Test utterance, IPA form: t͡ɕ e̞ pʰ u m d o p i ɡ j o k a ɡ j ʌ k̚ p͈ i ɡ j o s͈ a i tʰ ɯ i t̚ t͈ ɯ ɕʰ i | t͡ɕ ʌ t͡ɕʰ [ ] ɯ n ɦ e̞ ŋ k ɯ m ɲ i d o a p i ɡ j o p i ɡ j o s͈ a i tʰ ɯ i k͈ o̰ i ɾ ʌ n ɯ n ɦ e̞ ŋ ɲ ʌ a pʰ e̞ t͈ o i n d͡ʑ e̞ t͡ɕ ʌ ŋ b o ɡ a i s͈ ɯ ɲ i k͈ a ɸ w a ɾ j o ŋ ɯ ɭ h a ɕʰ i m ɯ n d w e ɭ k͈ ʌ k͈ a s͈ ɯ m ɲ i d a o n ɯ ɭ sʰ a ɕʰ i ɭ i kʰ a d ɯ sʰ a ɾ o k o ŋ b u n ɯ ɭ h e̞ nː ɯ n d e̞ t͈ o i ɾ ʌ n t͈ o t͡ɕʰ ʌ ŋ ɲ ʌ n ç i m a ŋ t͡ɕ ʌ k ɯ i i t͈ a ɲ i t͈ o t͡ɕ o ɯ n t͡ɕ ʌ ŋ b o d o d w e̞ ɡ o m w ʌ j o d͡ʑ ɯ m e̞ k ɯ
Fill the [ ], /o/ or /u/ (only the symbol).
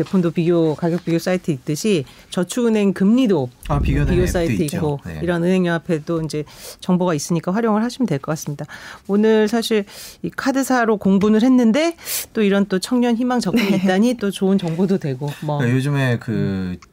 u